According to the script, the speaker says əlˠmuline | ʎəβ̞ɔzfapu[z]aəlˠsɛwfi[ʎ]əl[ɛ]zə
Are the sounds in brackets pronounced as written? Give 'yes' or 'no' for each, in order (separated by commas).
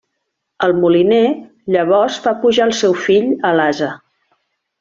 no, yes, no